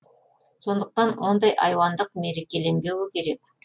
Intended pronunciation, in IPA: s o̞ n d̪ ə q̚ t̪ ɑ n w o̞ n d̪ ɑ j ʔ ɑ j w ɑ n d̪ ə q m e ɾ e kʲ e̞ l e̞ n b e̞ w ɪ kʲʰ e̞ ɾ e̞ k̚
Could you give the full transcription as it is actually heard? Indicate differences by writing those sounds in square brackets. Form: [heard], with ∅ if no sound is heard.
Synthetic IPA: s o̞ n d̪ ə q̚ t̪ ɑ n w o̞ n d̪ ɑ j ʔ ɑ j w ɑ n d̪ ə q m e ɾ e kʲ e̞ l e̞ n b e̞ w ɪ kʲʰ e̞ ɾ e̞ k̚